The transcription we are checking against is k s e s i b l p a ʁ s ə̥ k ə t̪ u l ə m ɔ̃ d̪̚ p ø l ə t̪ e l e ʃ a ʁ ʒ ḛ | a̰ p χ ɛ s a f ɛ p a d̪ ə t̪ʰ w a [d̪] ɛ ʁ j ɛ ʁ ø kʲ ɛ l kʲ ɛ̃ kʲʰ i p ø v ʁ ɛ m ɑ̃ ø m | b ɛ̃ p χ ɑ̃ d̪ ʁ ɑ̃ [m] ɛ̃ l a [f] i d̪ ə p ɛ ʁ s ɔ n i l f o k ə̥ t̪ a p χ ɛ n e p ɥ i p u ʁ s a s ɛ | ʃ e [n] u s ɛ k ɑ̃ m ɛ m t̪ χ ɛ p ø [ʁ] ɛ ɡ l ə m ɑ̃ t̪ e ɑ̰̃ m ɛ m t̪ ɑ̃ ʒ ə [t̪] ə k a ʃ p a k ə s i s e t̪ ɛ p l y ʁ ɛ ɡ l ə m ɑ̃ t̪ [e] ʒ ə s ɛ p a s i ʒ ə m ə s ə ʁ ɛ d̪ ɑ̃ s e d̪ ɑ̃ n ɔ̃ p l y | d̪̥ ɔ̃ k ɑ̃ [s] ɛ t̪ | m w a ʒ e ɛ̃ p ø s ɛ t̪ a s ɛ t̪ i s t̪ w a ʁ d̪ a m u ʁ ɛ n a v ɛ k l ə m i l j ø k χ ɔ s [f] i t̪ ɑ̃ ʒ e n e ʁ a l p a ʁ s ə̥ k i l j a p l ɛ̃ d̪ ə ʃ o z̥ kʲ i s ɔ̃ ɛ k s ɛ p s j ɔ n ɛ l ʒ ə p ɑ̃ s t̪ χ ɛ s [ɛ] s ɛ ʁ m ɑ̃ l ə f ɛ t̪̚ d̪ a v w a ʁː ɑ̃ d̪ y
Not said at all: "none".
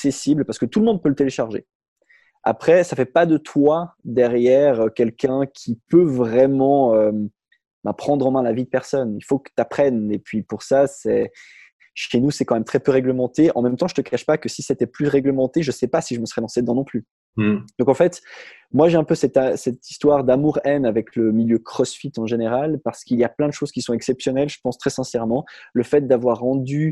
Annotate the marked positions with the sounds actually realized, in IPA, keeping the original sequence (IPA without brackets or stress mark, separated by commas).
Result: d̪, m, v, n, ʁ, t̪, e, f, f, ɛ̃